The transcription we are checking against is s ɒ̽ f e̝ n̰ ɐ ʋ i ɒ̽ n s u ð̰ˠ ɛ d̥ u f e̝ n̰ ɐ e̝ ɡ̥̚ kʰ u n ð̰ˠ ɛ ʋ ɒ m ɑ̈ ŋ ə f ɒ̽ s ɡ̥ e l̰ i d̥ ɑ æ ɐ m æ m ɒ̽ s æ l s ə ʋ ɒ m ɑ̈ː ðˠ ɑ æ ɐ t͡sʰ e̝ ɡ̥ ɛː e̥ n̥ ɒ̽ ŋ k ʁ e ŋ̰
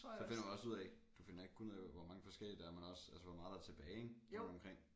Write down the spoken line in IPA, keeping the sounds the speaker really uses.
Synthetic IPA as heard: s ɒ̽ f e̝ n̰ ɐ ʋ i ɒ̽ s u ð̰ˠ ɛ d̥ u f e̝ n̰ ɐ e̝ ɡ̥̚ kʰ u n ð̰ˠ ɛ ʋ ɒ m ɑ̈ ŋ ə f ɒ̽ s ɡ̥ e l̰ i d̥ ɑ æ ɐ m æ n ɒ̽ s æ l s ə ʋ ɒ m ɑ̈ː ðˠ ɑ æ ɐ t͡sʰ e̝ b̥ ɛː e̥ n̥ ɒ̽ m k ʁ e ŋ̰